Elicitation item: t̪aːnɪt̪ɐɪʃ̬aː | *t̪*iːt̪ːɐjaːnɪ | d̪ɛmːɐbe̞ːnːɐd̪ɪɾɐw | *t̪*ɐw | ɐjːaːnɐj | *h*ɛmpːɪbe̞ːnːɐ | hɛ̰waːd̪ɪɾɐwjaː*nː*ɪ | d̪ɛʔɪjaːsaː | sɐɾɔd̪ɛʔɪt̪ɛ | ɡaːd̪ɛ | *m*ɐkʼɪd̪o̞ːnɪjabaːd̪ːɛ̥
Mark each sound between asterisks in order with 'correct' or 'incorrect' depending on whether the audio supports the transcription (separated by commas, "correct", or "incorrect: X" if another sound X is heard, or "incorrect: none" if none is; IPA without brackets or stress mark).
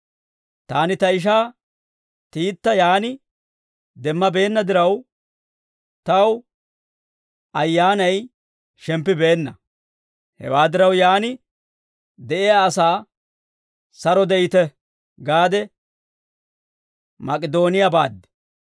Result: correct, correct, incorrect: ʃ, incorrect: n, correct